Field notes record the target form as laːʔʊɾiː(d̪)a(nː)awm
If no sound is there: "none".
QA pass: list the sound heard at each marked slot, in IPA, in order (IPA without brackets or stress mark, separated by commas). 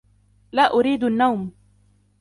d̪, nː